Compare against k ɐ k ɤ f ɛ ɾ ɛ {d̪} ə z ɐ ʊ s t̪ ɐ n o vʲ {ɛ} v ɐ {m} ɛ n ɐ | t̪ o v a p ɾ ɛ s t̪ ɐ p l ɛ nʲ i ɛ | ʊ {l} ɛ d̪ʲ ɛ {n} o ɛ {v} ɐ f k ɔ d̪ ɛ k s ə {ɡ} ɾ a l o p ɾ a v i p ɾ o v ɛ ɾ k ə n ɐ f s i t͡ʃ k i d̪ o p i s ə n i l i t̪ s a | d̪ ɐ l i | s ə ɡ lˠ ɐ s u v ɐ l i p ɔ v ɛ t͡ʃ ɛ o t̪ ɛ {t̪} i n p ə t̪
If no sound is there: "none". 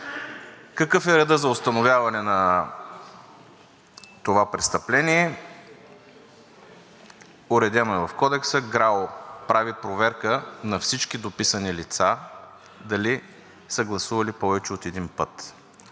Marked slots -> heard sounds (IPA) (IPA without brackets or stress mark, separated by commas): d̪, a, n, ɾ, n, v, ɡ, d̪